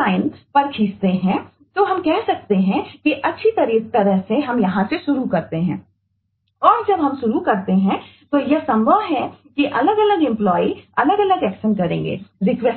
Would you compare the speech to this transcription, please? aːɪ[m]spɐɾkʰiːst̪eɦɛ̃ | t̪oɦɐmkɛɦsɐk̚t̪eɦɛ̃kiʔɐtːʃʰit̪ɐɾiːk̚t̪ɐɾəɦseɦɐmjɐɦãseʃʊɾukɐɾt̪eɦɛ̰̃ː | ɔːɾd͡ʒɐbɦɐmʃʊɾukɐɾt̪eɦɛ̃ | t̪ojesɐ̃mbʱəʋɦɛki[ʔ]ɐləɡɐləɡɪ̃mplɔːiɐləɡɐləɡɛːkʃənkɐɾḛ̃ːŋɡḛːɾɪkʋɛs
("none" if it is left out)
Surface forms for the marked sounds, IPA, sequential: n, ʔ

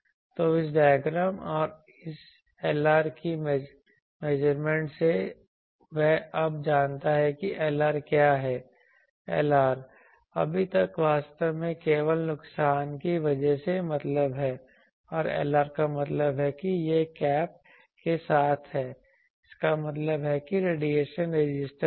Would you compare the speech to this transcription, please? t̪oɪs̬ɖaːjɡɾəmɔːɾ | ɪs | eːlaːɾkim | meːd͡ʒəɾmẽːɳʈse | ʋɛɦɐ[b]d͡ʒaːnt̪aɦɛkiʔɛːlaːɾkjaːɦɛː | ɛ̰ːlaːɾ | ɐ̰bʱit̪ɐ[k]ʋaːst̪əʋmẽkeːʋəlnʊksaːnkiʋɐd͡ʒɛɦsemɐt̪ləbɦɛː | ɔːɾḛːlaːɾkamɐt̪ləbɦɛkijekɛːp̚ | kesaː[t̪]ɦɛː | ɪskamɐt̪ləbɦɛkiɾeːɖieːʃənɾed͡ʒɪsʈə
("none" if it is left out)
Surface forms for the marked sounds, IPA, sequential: b, k, t̪ʰ

